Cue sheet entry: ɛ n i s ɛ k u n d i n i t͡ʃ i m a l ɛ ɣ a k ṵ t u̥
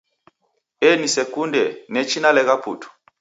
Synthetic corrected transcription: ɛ n i s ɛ k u n d ɛ n ɛ t͡ʃ i n a l ɛ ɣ a p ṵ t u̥